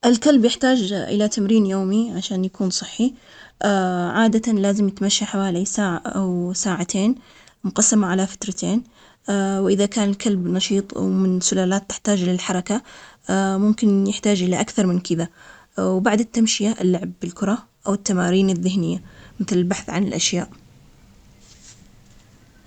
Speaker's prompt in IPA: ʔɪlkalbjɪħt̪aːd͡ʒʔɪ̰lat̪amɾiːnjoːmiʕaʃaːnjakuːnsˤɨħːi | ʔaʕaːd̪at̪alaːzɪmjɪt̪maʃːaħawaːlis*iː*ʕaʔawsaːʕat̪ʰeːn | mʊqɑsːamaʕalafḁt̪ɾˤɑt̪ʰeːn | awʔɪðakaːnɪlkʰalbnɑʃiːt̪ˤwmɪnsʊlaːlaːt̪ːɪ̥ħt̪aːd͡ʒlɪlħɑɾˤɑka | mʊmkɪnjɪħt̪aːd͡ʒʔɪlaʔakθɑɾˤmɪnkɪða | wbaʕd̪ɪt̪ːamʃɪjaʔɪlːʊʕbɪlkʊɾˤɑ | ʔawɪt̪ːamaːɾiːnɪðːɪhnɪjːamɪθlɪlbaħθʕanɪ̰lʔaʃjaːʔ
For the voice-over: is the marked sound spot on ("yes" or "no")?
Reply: no